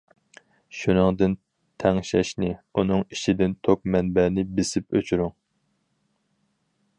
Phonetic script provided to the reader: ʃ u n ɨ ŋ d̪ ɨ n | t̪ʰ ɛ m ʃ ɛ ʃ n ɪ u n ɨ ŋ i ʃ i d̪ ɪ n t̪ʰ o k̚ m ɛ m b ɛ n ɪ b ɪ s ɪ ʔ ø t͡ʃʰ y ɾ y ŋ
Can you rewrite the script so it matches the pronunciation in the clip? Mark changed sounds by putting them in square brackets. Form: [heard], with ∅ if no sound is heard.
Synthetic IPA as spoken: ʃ u n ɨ ŋ d̪ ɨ n | t̪ʰ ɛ [ŋ] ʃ ɛ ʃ n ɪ u n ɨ ŋ i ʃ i d̪ ɪ n t̪ʰ o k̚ m ɛ [n] b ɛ n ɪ b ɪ s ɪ [p] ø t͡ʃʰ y ɾ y ŋ

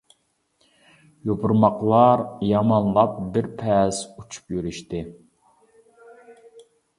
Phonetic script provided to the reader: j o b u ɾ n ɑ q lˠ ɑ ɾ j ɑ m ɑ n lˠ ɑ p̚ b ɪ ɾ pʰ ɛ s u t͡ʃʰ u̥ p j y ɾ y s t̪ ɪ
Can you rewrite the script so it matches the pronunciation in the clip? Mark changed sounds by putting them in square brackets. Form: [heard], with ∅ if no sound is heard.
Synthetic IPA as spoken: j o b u ɾ [m] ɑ q lˠ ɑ ɾ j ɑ m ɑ n lˠ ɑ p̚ b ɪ ɾ pʰ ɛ s u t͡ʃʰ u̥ p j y ɾ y [ʃ] t̪ ɪ

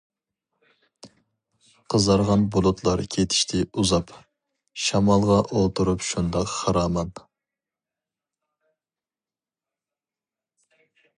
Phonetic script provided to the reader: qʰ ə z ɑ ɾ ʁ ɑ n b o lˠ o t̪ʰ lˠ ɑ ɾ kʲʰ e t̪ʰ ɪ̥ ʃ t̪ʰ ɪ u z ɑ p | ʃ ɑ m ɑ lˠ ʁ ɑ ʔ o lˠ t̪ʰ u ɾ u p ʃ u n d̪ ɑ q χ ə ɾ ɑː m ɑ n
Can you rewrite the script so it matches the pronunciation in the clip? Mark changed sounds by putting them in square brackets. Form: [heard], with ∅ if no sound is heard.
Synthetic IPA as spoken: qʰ ə z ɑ ɾ ʁ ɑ n b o lˠ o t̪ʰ lˠ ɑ ɾ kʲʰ e t̪ʰ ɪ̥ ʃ t̪ʰ ɪ u z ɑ p | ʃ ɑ m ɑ lˠ ʁ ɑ ʔ o lˠ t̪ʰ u ɾ u p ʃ u n d̪ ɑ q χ [ɑ] ɾ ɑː m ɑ n

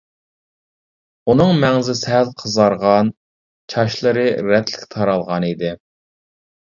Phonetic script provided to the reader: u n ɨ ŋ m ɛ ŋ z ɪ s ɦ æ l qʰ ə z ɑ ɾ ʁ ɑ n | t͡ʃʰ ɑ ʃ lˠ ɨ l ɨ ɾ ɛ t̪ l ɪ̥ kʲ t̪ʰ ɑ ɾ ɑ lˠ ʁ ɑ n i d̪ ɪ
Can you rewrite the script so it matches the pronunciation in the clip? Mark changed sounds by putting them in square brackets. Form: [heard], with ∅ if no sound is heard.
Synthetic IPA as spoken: u n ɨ ŋ m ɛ ŋ z ɪ s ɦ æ l qʰ ə z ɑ ɾ ʁ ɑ n | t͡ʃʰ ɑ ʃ lˠ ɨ [ɾ] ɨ ɾ ɛ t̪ l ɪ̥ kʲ t̪ʰ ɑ ɾ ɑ lˠ ʁ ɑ n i d̪ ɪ

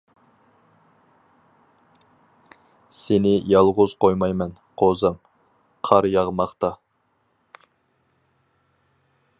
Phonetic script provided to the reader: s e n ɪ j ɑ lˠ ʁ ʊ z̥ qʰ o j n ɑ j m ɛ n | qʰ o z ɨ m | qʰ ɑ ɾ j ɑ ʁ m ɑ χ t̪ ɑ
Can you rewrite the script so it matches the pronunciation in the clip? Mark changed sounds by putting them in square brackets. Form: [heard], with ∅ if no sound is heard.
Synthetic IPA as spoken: s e n ɪ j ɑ lˠ ʁ ʊ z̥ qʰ o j [m] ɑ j m ɛ n | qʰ o z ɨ m | qʰ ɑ ɾ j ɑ ʁ m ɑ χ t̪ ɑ

